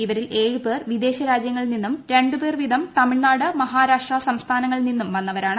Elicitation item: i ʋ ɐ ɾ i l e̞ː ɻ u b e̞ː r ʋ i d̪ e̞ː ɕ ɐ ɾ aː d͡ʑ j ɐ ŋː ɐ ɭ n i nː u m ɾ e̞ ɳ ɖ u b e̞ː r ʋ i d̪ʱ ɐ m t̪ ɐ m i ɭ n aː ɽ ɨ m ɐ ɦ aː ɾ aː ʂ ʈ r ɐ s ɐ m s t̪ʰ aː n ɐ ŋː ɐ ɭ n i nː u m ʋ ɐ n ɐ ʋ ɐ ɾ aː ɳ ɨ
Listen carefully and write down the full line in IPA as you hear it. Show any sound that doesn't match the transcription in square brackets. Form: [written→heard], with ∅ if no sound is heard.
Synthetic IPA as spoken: i ʋ ɐ ɾ i l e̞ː ɻ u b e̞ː r ʋ i d̪ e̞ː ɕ ɐ ɾ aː d͡ʑ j ɐ ŋː ɐ ɭ n i nː u m ɾ e̞ ɳ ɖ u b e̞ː r ʋ i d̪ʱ ɐ m t̪ ɐ m i ɭ n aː ɽ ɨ m ɐ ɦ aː ɾ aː ʂ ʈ r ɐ s ɐ m s t̪ʰ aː n ɐ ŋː ɐ ɭ n i nː u m ʋ ɐ [n→nː] ɐ ʋ ɐ ɾ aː ɳ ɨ